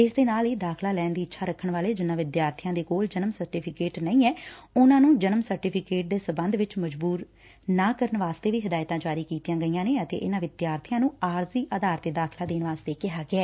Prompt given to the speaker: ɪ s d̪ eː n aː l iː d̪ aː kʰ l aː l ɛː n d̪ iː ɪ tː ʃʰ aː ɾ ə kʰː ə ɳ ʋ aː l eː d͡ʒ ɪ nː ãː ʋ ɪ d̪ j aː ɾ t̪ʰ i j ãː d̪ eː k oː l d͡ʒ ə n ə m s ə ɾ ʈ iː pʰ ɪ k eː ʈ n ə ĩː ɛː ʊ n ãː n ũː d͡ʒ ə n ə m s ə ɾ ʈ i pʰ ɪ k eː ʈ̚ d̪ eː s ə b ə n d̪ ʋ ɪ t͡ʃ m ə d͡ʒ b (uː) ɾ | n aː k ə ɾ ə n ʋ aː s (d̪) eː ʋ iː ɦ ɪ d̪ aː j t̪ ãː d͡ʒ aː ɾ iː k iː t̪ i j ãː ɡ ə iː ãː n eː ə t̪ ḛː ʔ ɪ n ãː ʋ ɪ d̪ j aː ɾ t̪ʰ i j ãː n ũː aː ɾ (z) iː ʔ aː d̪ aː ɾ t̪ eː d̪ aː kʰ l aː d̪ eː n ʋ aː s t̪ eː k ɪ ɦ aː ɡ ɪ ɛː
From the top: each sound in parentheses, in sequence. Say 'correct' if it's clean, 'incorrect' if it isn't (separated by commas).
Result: correct, incorrect, correct